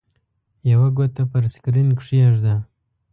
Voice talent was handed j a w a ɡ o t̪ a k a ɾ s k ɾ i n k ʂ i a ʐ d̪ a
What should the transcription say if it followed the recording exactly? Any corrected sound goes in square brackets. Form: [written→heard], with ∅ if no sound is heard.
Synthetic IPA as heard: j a w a ɡ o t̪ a [k→p] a ɾ s k ɾ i n k ʂ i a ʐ d̪ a